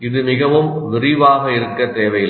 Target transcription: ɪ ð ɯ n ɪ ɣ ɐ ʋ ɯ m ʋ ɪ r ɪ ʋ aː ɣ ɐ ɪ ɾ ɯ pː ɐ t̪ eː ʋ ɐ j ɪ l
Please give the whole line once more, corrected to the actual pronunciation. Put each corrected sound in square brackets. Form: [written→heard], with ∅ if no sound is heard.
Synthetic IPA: ɪ ð ɯ [n→m] ɪ ɣ ɐ ʋ ɯ m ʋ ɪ r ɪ ʋ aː ɣ ɐ ɪ ɾ ɯ [pː→kː] ɐ t̪ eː ʋ ɐ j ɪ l